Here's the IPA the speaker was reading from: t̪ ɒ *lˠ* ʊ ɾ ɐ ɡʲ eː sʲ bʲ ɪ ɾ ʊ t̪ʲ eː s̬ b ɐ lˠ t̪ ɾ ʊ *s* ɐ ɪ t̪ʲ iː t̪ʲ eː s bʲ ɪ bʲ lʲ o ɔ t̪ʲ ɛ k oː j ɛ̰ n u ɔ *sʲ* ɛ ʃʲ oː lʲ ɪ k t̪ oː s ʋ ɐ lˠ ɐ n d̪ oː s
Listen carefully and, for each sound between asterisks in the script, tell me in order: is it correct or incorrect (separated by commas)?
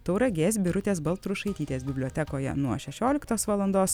incorrect, incorrect, incorrect